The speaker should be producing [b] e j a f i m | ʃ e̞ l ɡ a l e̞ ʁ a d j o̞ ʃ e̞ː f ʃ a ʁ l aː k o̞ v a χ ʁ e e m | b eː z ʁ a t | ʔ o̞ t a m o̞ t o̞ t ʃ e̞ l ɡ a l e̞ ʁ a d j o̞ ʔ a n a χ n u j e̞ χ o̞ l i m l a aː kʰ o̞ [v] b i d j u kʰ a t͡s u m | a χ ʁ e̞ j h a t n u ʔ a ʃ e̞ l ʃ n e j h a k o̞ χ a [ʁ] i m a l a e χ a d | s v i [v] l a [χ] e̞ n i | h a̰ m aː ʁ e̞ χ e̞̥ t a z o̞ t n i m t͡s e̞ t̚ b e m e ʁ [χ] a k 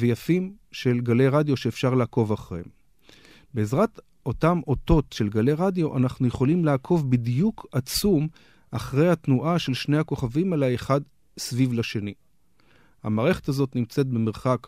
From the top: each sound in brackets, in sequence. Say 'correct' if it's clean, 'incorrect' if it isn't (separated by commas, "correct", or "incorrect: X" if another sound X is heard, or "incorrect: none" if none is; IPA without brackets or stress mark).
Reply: incorrect: v, correct, incorrect: v, correct, incorrect: ʃ, correct